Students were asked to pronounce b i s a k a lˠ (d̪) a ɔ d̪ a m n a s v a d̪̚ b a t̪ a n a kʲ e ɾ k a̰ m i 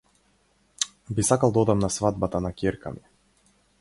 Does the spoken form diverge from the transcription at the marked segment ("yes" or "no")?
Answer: no